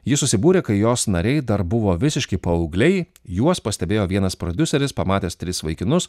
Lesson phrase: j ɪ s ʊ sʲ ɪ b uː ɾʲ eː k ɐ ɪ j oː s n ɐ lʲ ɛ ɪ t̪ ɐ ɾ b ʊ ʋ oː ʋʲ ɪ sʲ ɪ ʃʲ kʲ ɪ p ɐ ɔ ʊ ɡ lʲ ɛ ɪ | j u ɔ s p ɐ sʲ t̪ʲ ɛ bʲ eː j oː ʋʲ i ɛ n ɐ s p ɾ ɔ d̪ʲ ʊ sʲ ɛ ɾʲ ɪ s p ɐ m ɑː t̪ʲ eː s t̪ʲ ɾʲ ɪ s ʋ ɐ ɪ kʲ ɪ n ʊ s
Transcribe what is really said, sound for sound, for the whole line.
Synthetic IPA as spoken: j ɪ s ʊ sʲ ɪ b uː ɾʲ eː k ɐ ɪ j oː s n ɐ ɾʲ ɛ ɪ d̪ ɐ ɾ b ʊ ʋ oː ʋʲ ɪ sʲ ɪ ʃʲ kʲ ɪ p ɐ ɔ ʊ ɡ lʲ ɛ ɪ | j u ɔ s p ɐ sʲ t̪ʲ ɛ bʲ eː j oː ʋʲ i ɛ n ɐ s p ɾ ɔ d̪ʲ ʊ sʲ ɛ ɾʲ ɪ s p ɐ m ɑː t̪ʲ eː s t̪ʲ ɾʲ ɪ s ʋ ɐ ɪ kʲ ɪ n ʊ s